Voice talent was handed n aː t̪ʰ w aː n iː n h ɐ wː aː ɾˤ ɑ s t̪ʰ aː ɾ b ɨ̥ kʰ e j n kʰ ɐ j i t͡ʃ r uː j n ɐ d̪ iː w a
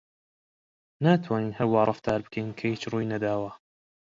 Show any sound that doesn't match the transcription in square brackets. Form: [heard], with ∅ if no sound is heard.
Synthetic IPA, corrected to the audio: n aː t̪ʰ w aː n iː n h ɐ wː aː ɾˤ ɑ [f] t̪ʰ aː ɾ b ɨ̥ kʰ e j n kʰ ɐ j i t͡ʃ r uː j n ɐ d̪ [aː] w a